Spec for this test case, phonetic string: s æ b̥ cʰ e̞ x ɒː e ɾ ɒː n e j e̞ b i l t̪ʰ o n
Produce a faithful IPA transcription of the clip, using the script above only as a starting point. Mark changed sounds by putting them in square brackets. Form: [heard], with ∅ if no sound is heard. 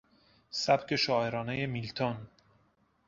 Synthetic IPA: s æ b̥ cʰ e̞ [ʃ] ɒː e ɾ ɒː n e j e̞ [m] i l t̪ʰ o n

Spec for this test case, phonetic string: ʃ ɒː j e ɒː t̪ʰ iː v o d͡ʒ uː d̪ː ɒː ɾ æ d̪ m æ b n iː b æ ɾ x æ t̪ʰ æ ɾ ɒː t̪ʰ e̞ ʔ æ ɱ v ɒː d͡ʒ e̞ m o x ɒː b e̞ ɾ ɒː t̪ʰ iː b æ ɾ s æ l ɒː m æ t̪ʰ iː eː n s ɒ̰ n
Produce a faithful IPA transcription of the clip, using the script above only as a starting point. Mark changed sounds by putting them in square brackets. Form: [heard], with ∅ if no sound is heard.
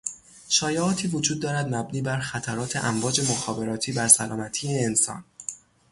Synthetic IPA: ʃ ɒː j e ɒː t̪ʰ iː v o d͡ʒ uː d̪ː ɒː ɾ æ d̪ m æ b n iː b æ ɾ x æ t̪ʰ æ ɾ ɒː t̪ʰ e̞ ʔ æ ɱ v ɒː d͡ʒ e̞ m o x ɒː b e̞ ɾ ɒː t̪ʰ iː b æ ɾ s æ l ɒː m æ t̪ʰ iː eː n s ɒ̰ n

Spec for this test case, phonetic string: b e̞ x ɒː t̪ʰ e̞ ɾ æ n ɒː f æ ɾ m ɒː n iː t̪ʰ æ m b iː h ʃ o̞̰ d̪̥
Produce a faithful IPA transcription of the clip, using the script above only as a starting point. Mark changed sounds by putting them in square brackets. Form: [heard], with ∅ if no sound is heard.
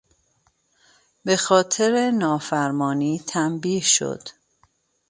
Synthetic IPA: b e̞ x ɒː t̪ʰ e̞ ɾ [e] n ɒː f æ ɾ m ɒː n iː t̪ʰ æ m b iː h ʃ o̞̰ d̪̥

